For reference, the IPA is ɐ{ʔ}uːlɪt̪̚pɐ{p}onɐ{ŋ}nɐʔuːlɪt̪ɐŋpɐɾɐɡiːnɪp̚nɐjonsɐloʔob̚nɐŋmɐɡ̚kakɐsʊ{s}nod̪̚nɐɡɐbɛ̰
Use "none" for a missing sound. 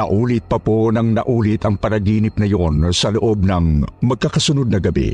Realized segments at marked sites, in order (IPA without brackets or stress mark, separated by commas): ʔ, p, ŋ, none